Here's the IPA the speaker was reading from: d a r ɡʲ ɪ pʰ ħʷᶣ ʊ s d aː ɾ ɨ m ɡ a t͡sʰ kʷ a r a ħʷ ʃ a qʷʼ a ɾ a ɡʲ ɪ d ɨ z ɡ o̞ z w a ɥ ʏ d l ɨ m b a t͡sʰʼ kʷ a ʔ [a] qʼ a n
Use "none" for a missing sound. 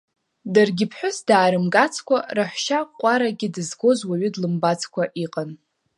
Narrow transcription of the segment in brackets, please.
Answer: i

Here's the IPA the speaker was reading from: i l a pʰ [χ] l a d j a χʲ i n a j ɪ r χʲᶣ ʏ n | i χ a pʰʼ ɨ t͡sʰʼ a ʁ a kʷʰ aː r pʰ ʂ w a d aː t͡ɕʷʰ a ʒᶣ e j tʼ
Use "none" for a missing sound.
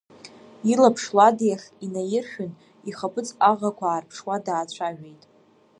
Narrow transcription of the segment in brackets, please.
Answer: ʂ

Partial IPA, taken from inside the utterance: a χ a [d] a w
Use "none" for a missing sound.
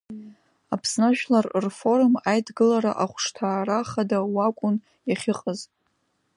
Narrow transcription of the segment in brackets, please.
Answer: d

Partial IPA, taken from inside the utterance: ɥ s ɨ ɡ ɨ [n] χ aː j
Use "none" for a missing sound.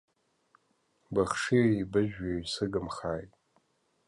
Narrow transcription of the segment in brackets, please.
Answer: m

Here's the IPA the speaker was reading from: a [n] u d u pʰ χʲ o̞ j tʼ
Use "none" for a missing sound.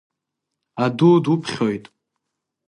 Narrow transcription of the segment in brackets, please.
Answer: d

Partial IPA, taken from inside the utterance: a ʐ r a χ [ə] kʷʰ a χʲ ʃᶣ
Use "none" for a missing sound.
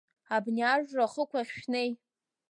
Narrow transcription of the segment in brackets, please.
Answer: ə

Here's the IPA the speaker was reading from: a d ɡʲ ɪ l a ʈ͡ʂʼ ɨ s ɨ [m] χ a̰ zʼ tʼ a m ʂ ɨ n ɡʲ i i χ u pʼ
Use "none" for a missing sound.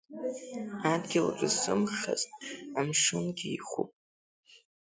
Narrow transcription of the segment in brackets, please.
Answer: m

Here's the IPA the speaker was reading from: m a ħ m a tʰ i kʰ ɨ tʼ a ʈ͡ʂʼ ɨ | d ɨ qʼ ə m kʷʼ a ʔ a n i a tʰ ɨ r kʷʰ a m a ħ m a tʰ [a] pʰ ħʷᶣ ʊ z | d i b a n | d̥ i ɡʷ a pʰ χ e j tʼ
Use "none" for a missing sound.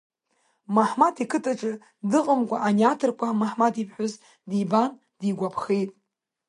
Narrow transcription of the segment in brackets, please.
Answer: i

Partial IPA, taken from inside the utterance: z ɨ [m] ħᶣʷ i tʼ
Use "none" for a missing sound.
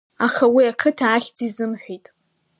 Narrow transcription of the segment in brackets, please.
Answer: m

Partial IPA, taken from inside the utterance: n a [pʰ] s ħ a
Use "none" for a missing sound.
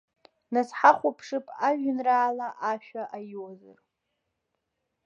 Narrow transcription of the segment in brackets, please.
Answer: none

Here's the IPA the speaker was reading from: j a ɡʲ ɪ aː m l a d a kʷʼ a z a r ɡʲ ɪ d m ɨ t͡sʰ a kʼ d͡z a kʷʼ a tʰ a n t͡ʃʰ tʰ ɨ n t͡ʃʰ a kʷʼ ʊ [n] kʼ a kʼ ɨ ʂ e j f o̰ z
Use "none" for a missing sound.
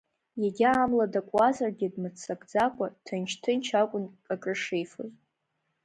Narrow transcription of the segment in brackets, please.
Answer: n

